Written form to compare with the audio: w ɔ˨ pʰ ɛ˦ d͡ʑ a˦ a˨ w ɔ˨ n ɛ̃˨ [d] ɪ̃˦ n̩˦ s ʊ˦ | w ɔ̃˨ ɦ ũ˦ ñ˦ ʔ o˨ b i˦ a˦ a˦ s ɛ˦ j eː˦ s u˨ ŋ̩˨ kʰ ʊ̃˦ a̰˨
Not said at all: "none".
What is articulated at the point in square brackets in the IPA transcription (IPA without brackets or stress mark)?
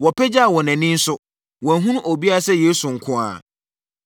n